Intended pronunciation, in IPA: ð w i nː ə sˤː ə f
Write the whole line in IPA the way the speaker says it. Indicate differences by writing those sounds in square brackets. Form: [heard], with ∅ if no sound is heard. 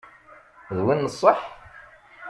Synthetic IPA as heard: ð w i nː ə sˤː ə [ħ]